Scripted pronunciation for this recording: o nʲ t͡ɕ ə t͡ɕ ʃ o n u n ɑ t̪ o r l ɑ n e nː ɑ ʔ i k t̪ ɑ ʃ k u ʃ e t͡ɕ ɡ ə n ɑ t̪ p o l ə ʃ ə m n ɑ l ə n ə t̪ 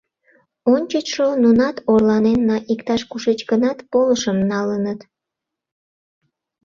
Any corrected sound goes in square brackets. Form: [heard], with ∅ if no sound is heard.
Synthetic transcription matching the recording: o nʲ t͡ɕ ə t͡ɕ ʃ o n u n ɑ t̪ o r l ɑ n e nː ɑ ʔ i k t̪ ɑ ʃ k u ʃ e t͡ɕ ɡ ə n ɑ t̪ p o l ə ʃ ə m n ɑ l ə n ə t̪